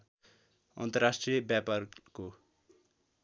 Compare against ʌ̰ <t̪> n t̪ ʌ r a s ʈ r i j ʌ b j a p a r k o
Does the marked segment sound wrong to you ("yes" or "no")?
yes